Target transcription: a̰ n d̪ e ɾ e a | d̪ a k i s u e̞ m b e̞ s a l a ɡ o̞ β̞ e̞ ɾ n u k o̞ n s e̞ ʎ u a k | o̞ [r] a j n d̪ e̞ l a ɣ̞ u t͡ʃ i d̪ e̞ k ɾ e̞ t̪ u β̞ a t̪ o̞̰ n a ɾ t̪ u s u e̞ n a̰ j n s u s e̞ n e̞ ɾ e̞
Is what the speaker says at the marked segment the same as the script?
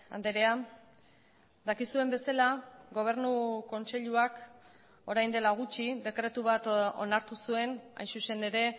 no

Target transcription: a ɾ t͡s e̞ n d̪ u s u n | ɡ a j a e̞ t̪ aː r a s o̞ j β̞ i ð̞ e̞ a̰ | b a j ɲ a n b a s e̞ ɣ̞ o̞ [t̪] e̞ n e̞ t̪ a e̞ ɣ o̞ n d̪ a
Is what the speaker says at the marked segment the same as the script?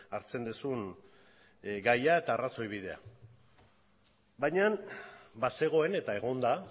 no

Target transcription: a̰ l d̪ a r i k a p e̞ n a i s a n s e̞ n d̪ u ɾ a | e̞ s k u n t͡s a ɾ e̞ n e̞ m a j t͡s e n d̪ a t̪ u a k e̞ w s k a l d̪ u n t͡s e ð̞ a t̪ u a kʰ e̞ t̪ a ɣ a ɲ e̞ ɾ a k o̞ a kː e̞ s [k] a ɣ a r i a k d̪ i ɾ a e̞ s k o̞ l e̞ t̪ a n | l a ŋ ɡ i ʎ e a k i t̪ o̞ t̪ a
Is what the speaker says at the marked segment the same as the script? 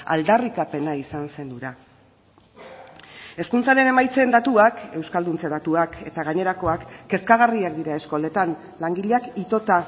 yes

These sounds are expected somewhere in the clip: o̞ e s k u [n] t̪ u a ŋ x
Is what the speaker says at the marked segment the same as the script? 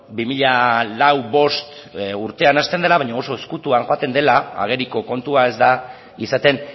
no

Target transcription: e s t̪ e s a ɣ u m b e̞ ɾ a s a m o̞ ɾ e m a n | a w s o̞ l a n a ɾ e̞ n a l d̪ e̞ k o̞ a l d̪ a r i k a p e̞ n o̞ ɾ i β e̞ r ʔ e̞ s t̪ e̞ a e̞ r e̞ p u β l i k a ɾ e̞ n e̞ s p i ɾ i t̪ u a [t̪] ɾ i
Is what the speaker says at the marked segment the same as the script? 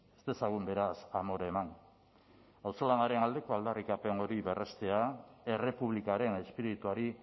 no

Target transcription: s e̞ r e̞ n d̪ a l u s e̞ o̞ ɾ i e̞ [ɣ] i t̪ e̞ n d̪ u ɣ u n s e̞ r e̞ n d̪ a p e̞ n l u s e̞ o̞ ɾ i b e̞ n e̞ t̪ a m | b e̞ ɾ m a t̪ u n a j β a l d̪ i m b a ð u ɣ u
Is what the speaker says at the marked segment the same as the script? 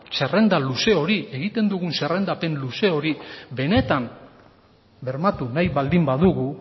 yes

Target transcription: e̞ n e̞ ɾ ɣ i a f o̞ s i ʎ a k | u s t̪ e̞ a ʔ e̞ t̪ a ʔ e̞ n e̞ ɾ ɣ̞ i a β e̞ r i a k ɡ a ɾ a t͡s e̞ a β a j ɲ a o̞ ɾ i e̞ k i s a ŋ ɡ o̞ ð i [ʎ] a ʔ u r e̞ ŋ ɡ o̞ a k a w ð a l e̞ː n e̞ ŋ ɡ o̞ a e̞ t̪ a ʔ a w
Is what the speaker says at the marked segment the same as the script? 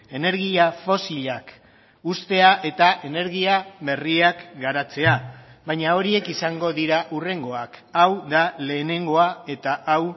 no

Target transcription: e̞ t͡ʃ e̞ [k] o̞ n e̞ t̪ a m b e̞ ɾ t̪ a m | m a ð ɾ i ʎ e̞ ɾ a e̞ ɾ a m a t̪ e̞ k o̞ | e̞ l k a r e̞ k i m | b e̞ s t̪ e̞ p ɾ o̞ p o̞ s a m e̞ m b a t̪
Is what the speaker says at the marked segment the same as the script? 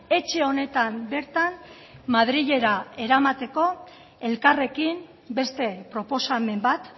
no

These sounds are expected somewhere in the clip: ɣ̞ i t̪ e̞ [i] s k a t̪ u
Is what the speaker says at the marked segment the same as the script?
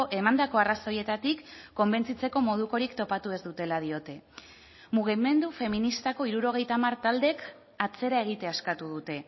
no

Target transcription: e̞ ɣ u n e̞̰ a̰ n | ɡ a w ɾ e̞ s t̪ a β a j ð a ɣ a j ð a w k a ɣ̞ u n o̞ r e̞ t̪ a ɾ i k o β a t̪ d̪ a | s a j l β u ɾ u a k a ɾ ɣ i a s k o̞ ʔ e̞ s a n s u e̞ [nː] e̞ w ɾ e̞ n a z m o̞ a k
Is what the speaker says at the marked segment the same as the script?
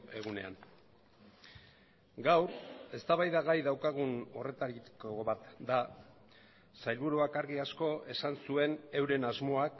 no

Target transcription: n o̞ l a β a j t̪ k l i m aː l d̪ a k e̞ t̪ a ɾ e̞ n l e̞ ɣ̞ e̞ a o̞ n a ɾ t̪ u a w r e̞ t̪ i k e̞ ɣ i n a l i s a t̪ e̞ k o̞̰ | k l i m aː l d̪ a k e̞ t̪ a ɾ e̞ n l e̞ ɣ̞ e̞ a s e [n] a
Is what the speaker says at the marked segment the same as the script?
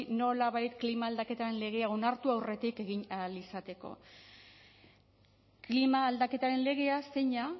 no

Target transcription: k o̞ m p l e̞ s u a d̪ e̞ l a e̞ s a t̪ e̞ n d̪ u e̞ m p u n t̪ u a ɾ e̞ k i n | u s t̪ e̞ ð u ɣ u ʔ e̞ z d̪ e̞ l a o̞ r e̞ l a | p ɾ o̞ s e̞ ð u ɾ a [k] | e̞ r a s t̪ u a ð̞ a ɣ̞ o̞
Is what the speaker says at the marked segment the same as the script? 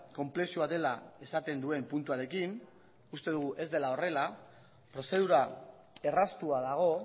no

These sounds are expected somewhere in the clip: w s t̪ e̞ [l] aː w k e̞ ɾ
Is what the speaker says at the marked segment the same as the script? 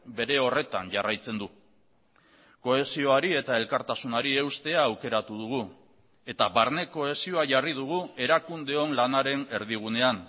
no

